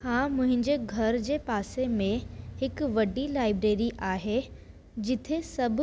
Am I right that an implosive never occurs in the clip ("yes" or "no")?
yes